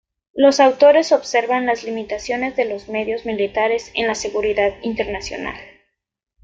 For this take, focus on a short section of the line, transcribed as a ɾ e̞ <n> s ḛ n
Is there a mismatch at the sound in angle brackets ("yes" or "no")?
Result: yes